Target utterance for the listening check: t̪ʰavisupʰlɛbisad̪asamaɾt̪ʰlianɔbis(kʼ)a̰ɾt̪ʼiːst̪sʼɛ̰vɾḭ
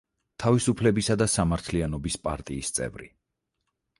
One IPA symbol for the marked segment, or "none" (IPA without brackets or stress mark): pʼ